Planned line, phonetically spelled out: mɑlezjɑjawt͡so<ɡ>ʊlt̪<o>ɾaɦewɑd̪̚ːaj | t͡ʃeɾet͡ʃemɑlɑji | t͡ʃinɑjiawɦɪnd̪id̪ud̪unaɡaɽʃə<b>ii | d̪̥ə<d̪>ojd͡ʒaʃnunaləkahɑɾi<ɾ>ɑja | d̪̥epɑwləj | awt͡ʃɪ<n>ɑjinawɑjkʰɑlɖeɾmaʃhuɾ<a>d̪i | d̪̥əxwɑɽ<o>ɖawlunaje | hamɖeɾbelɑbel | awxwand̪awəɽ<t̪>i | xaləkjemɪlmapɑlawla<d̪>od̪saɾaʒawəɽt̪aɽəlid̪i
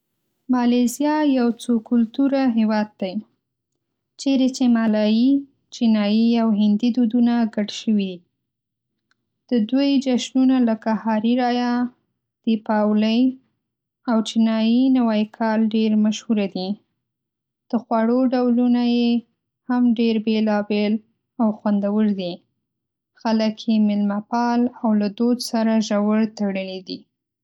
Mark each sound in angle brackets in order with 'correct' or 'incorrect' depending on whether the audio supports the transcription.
incorrect: k, incorrect: u, incorrect: w, correct, correct, correct, correct, correct, incorrect: d̪, correct

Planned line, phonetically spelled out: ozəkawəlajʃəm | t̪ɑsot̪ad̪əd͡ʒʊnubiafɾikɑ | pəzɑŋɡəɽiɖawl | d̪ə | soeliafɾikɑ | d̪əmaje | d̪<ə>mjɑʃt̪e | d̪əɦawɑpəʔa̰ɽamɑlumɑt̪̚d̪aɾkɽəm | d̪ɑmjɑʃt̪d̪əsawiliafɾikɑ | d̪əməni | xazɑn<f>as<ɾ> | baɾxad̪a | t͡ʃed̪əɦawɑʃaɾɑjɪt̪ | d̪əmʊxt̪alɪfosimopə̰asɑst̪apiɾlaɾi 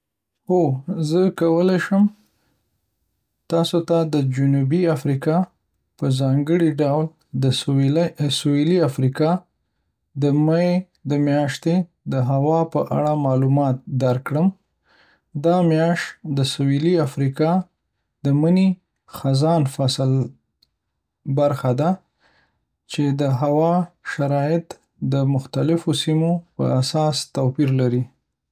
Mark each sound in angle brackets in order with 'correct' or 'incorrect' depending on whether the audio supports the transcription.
correct, correct, incorrect: l

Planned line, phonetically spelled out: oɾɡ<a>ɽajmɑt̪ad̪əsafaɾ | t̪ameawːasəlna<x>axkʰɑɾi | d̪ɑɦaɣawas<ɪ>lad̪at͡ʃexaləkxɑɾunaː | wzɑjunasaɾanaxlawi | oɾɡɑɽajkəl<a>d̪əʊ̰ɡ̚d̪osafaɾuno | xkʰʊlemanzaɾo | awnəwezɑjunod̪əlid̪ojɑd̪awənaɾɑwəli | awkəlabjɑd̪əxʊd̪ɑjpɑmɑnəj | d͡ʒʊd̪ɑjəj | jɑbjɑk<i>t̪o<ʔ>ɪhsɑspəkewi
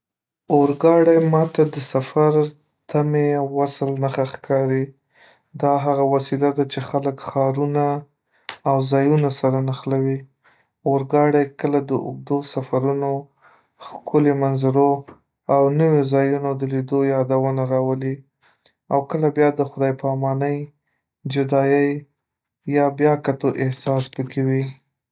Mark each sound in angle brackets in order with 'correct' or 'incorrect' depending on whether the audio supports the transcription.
incorrect: ɑ, correct, incorrect: i, correct, incorrect: a, correct

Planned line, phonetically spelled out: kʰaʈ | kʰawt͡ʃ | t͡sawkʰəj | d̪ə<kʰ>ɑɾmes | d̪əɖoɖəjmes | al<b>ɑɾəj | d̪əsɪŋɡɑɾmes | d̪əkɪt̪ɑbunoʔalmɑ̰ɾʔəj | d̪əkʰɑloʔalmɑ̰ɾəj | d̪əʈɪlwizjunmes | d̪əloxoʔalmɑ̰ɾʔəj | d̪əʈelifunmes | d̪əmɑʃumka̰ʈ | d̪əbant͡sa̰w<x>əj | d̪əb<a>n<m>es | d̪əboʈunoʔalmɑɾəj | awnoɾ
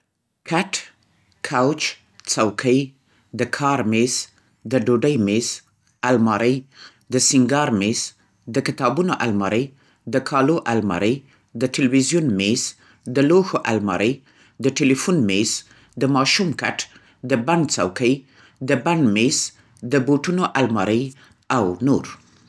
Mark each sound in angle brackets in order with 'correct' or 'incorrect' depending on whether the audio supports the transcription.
correct, incorrect: m, incorrect: k, correct, correct

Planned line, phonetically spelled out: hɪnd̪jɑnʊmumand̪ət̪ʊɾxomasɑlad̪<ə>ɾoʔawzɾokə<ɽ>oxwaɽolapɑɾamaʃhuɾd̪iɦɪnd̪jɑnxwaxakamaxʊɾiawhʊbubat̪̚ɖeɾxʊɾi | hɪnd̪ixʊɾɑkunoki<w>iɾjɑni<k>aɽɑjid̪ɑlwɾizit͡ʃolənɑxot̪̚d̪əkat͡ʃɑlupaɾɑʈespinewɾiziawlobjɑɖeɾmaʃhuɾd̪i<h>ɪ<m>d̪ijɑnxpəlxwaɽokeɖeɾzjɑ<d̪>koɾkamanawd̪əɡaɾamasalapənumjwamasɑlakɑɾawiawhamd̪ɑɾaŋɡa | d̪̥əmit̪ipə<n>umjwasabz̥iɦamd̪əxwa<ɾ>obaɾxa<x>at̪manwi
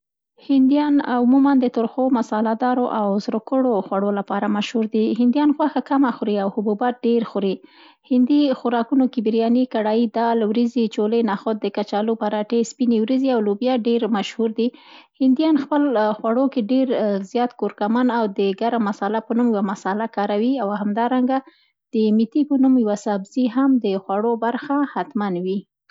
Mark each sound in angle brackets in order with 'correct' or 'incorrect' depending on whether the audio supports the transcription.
incorrect: ɑ, correct, incorrect: b, correct, correct, incorrect: n, incorrect: t̪, correct, incorrect: ɽ, incorrect: h

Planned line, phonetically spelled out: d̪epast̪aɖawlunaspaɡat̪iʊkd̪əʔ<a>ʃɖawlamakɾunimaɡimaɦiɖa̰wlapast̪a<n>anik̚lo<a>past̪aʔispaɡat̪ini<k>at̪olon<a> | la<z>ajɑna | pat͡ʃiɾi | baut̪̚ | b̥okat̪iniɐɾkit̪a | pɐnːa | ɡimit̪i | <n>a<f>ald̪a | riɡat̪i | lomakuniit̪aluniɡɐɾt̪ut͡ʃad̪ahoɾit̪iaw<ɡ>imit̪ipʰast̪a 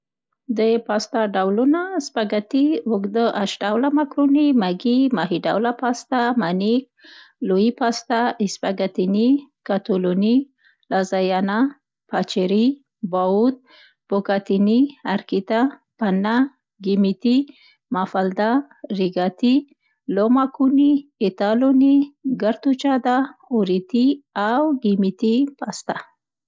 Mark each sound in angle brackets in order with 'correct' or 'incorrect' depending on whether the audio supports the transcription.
correct, incorrect: m, incorrect: i, correct, incorrect: i, correct, incorrect: m, correct, correct

